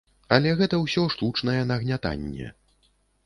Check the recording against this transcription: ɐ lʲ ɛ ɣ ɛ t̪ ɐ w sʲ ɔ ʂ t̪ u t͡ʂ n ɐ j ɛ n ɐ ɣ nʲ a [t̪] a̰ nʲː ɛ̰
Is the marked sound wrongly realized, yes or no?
no